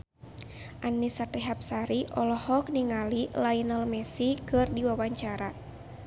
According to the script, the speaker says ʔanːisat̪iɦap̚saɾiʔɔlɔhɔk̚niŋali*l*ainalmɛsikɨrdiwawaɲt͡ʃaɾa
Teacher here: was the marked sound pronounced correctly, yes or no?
yes